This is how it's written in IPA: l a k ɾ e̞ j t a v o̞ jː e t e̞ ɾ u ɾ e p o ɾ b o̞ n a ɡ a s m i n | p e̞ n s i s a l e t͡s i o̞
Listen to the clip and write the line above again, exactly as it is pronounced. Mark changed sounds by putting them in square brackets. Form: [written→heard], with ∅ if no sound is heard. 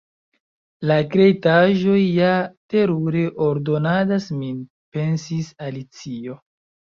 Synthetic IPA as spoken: l a k ɾ e̞ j t a [v→ʒ] o̞ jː [e→a] t e̞ ɾ u ɾ e [p→ʔ] o ɾ [b→d] o̞ n a [ɡ→d] a s m i n | p e̞ n s i s a l [e→i] t͡s i o̞